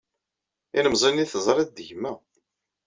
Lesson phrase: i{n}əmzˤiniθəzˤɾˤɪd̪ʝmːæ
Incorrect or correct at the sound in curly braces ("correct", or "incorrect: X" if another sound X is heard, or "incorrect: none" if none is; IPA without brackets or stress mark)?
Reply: correct